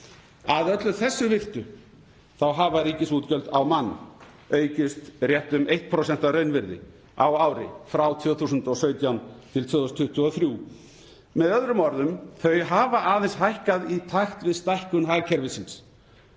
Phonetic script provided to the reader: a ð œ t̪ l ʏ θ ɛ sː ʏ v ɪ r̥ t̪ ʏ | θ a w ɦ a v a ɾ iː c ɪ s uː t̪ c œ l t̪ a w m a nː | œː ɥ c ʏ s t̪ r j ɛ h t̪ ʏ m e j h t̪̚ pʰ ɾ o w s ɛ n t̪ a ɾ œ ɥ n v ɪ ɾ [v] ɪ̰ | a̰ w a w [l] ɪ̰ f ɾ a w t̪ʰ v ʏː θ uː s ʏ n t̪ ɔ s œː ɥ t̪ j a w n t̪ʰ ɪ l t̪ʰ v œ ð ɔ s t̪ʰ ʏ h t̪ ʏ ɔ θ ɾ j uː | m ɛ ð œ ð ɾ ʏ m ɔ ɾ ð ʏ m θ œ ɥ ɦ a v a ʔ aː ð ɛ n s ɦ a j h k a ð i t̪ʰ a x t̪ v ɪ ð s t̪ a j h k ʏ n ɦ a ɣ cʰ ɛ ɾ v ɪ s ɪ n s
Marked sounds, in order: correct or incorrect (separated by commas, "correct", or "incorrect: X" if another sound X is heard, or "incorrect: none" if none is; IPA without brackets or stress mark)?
incorrect: ð, incorrect: ɾ